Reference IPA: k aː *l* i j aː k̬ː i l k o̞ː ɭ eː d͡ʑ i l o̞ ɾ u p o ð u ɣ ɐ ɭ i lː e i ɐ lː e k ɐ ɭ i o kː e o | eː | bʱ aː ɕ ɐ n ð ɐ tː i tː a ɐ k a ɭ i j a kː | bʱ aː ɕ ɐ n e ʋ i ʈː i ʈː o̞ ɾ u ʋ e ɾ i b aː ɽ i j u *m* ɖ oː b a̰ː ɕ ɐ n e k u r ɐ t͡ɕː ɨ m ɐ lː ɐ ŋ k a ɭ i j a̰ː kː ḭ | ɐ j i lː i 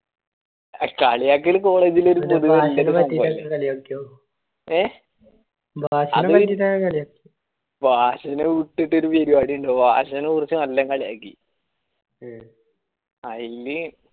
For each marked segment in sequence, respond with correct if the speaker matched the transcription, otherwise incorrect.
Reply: incorrect, incorrect

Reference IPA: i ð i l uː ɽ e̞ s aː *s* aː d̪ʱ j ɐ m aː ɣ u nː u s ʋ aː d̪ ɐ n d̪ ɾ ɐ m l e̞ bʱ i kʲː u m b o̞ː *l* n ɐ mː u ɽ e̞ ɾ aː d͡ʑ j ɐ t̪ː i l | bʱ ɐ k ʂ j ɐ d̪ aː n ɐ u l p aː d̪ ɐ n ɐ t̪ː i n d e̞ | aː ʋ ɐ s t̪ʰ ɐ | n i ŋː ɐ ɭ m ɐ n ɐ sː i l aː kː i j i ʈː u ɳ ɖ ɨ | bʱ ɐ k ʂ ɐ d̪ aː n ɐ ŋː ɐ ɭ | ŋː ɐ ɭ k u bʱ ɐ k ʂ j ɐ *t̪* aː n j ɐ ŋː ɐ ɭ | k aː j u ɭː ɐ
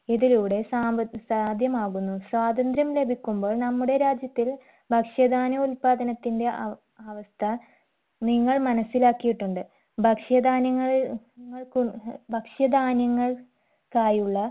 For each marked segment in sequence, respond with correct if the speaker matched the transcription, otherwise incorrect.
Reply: correct, incorrect, incorrect

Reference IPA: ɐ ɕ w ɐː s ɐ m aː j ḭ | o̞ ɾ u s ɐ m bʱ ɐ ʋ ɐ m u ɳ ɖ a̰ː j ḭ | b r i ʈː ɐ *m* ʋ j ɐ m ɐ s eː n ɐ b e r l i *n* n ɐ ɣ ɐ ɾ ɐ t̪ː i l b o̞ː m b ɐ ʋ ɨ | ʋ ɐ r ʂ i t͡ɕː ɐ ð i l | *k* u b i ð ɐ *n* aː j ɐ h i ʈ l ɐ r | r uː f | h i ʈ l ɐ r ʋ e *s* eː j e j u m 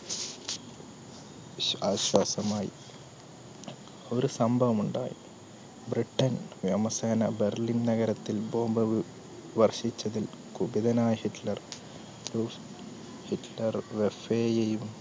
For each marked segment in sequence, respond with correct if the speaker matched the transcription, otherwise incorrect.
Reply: incorrect, correct, correct, correct, incorrect

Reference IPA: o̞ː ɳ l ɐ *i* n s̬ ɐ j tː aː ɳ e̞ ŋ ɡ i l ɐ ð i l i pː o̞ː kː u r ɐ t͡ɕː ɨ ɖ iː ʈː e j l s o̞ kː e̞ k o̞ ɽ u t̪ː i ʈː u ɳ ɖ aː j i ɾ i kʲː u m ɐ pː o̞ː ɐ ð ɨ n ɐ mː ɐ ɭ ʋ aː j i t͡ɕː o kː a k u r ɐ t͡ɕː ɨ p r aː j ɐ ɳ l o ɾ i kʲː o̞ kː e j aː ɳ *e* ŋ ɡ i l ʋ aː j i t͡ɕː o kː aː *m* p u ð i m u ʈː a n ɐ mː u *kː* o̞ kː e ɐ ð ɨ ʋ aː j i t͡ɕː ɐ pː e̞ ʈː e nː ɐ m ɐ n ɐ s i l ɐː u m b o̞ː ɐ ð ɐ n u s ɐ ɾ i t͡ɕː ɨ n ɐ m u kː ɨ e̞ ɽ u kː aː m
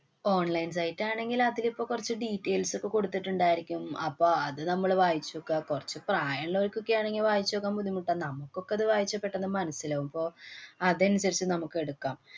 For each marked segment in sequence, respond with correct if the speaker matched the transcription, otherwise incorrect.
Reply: incorrect, correct, correct, correct

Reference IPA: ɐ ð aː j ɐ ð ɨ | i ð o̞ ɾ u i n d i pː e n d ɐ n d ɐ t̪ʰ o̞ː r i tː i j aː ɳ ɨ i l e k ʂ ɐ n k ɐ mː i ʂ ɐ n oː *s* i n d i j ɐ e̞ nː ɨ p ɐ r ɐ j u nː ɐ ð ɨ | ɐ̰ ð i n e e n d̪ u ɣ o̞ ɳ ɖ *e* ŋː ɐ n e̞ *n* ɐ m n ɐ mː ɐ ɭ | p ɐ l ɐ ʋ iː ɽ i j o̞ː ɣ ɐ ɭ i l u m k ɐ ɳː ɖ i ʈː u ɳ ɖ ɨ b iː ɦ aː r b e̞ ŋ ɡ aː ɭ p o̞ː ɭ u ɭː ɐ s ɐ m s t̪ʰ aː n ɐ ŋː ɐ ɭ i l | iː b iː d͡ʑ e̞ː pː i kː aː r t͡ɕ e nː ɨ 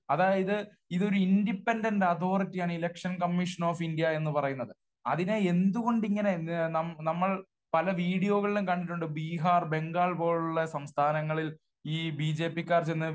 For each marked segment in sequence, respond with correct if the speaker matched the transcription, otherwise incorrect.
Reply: incorrect, incorrect, correct

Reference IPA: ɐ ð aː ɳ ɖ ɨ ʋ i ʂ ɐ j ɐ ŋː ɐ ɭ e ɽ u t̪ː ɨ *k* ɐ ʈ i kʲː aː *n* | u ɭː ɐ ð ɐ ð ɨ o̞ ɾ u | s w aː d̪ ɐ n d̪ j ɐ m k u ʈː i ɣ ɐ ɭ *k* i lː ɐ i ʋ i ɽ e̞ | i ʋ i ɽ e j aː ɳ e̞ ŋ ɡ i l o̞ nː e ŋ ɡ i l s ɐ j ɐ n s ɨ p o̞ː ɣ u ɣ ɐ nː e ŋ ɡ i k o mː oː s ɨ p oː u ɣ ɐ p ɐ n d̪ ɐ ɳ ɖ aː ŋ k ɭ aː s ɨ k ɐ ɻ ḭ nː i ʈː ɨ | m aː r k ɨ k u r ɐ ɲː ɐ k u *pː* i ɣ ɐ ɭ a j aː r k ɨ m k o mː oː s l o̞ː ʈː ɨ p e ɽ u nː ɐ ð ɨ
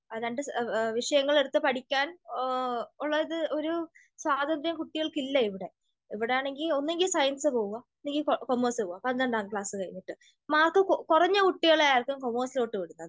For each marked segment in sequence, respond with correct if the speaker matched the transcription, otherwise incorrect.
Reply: incorrect, correct, correct, incorrect

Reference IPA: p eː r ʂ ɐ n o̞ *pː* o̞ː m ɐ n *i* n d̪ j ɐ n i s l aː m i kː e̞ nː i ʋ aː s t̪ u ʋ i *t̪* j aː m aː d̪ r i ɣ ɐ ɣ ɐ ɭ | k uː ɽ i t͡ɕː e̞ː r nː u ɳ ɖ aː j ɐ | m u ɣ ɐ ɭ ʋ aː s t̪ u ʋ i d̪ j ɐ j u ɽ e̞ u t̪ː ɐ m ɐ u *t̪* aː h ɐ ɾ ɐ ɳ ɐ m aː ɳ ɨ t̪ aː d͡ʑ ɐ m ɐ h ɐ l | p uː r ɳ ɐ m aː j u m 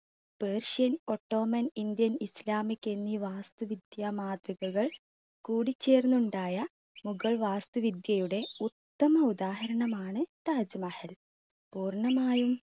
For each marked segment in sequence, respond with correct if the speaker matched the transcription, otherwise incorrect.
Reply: incorrect, correct, incorrect, incorrect

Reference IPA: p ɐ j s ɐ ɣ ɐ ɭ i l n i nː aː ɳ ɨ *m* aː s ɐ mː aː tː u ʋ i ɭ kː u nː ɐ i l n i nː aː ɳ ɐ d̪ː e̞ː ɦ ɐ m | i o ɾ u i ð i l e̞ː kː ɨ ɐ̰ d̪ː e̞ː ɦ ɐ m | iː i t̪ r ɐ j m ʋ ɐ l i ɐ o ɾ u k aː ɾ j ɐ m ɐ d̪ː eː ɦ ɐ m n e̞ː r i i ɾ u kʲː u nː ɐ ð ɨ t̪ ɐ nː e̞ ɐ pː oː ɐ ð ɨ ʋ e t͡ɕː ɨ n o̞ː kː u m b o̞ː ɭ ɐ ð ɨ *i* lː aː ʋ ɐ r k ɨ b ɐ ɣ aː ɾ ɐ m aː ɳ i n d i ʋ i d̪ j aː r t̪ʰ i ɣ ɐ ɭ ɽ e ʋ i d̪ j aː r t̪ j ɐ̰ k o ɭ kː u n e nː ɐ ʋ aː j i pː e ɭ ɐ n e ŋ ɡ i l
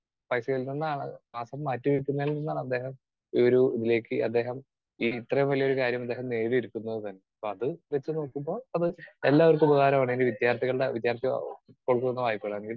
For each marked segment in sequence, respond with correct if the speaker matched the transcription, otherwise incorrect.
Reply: correct, incorrect

